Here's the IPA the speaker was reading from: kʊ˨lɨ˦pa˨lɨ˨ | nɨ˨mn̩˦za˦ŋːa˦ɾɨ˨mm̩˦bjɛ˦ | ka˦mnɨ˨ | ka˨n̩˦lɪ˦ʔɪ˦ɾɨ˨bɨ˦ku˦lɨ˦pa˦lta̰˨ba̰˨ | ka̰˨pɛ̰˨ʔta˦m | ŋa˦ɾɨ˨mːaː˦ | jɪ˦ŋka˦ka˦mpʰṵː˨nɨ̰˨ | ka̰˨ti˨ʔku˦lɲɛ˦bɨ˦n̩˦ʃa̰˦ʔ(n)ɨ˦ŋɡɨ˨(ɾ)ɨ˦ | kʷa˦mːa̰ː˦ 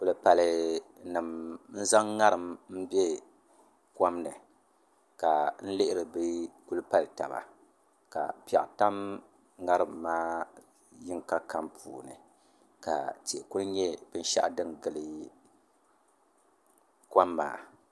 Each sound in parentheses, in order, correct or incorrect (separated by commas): incorrect, incorrect